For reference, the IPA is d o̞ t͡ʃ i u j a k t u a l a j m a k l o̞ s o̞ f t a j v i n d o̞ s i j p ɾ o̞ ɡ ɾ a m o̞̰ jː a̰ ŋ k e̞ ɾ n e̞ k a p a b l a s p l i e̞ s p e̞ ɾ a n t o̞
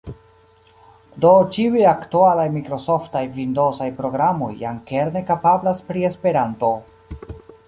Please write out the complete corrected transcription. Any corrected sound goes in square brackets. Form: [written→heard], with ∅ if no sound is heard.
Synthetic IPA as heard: d o̞ t͡ʃ i u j a k t u a l a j m [a→i] k [l→ɾ] o̞ s o̞ f t a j v i n d o̞ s [i→a] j p ɾ o̞ ɡ ɾ a m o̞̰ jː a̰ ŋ k e̞ ɾ n e̞ k a p a b l a s p [l→ɾ] i e̞ s p e̞ ɾ a n t o̞